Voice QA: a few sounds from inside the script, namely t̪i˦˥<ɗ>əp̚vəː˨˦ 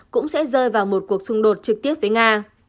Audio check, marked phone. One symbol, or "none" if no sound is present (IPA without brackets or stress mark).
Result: none